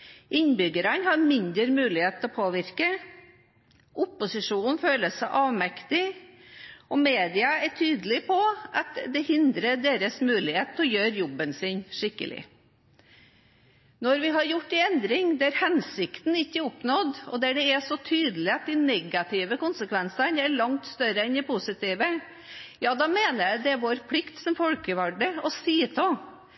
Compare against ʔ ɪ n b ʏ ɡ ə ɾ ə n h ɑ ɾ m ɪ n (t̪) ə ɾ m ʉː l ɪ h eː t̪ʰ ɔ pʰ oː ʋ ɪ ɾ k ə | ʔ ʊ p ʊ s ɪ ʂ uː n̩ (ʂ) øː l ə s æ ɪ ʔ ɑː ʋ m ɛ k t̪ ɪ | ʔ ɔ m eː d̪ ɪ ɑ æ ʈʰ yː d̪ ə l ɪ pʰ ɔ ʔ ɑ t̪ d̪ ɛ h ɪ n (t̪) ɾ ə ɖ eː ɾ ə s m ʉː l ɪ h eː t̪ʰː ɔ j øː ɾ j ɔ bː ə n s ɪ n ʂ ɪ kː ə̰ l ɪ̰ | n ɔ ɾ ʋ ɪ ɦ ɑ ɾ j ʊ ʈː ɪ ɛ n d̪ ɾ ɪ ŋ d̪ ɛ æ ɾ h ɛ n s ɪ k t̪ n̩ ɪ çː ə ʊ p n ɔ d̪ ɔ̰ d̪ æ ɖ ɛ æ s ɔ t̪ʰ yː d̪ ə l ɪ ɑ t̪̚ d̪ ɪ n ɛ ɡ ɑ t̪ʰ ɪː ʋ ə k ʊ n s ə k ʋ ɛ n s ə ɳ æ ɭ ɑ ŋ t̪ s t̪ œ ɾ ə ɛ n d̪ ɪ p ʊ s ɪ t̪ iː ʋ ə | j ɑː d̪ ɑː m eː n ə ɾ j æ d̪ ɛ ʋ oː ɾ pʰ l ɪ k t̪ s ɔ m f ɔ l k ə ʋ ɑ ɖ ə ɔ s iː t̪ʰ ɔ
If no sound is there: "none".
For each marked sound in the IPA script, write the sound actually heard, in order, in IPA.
d̪, f, d̪

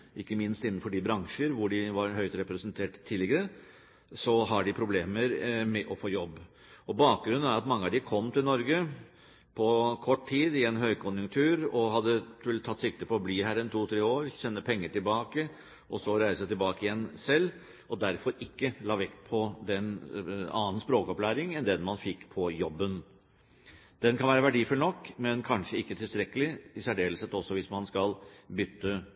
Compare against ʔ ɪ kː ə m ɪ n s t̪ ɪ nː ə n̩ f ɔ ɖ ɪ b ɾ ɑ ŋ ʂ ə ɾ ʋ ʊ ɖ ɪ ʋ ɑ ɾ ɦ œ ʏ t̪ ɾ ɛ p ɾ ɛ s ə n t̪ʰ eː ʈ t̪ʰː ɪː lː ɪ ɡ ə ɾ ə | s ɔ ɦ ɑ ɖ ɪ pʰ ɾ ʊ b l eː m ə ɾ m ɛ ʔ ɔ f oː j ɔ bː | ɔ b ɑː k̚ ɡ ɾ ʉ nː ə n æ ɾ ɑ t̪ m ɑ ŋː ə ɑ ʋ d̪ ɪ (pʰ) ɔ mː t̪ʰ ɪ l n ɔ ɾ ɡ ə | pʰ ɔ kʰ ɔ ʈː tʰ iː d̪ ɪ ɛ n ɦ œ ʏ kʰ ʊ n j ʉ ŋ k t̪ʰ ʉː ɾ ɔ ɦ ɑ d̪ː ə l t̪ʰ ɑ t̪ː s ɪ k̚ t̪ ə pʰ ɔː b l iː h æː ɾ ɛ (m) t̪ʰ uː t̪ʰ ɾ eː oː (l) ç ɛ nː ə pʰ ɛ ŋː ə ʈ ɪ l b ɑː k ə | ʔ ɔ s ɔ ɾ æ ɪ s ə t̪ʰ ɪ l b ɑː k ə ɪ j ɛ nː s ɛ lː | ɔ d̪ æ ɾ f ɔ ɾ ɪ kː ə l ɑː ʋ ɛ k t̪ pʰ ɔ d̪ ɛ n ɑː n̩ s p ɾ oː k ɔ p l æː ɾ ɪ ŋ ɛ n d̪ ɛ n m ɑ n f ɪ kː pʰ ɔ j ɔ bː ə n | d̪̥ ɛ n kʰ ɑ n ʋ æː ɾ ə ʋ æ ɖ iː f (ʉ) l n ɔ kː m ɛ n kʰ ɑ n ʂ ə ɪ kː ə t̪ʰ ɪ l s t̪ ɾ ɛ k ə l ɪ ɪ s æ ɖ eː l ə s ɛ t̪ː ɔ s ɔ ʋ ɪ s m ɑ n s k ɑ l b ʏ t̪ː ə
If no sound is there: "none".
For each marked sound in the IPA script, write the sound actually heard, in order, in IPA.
kʰ, n, ɾ, ʉ

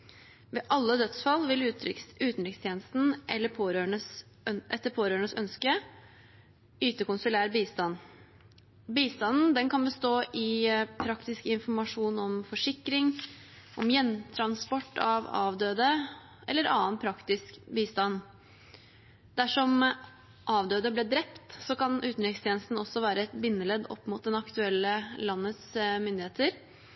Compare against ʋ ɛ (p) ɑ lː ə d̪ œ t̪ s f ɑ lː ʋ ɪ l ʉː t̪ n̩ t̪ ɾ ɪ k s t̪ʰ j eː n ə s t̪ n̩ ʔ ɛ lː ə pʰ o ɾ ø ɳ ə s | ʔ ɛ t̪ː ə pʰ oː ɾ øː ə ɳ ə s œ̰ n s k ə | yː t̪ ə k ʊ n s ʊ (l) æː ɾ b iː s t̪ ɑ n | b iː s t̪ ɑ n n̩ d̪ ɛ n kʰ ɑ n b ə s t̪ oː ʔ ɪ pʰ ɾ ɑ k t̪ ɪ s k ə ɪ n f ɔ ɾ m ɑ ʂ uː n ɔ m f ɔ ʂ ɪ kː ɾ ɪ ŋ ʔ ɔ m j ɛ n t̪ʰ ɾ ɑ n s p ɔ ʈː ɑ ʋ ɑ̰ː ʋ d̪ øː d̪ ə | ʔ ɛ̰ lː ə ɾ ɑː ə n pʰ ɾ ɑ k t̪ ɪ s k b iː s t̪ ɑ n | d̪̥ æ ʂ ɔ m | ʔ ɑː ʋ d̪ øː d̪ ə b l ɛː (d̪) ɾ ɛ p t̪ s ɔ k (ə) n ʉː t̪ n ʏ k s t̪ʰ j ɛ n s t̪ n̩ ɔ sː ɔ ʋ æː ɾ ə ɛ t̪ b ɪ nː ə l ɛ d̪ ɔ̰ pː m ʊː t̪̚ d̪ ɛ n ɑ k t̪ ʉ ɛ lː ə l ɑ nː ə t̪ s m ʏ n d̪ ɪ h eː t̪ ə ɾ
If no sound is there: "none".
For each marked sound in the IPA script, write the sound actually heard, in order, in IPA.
ʔ, l, d̪, ɑ

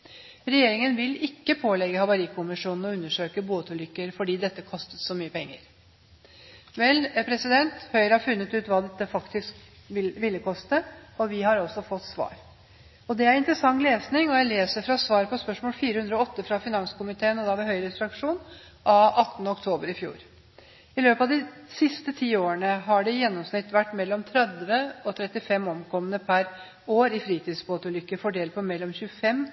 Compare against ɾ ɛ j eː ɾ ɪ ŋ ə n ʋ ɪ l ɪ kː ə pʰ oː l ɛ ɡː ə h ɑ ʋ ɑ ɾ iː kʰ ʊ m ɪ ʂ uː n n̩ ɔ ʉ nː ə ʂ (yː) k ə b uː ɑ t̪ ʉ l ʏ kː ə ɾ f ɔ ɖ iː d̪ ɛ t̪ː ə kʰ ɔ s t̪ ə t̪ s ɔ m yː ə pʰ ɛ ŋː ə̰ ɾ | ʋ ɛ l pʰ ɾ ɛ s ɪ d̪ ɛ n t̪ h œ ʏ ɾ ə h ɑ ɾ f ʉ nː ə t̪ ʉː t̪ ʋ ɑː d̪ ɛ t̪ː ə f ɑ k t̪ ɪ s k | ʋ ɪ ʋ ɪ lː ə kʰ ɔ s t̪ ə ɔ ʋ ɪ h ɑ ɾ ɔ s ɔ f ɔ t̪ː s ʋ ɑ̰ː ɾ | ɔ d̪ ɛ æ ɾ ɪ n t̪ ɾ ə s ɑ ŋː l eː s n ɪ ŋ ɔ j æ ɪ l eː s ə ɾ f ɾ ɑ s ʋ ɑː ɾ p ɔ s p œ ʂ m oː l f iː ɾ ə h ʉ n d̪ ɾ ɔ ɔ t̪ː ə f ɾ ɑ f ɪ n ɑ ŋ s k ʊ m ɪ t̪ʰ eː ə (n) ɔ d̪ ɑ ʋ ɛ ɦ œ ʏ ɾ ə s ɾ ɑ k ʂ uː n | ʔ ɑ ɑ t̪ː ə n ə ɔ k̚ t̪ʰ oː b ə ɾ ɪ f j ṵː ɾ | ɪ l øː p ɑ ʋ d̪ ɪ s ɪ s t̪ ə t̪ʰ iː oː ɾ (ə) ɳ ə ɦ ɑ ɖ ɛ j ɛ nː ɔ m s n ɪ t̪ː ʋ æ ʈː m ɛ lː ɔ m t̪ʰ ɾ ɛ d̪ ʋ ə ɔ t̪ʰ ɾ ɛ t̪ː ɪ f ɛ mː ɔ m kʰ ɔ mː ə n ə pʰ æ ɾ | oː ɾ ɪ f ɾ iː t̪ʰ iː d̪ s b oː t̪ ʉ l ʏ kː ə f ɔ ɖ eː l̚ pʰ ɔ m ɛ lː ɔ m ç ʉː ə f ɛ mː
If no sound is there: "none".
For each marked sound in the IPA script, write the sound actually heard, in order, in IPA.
øː, n, ə

